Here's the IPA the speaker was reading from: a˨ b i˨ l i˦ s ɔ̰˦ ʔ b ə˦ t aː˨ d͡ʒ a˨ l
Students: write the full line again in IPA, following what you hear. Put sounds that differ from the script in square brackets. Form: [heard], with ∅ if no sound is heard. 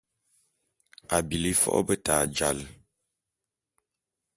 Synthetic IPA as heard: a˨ b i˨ l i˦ [f] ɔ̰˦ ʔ b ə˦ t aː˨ d͡ʒ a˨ l